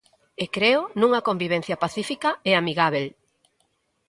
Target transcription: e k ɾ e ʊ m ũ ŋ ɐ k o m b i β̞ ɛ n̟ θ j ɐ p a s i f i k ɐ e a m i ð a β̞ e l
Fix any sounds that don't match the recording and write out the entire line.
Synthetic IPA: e k ɾ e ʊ n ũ ŋ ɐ k o m b i β̞ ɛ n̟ θ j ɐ p a θ i f i k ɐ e a m i ɣ a β̞ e l